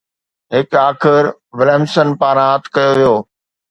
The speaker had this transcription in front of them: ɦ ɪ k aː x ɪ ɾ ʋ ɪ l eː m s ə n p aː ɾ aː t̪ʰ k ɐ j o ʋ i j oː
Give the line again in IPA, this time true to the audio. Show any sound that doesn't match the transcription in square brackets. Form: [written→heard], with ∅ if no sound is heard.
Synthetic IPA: ɦ ɪ k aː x ɪ ɾ ʋ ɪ l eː m s ə n p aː ɾ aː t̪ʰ k ɐ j o ʋ i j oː